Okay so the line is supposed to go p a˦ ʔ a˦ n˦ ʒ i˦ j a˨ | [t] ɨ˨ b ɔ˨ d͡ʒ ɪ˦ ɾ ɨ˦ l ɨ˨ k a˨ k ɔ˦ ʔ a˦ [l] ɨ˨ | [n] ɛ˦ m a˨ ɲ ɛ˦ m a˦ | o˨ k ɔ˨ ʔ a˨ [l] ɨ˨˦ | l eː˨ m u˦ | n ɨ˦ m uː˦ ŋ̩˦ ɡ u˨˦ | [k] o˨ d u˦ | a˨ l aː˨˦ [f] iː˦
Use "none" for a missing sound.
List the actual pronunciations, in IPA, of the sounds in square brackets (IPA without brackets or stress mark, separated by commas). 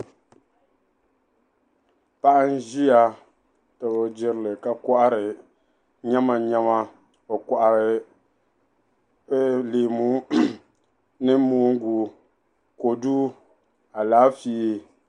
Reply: t, ɾ, ɲ, ɾ, k, f